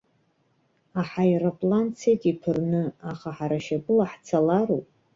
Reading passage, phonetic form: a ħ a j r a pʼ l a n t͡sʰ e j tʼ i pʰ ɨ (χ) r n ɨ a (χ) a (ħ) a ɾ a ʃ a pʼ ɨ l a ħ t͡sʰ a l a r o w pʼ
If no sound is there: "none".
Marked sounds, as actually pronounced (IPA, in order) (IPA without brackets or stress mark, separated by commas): none, χ, ħ